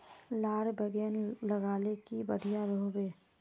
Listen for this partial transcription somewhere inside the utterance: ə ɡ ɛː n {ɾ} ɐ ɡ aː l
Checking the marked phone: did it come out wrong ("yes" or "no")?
yes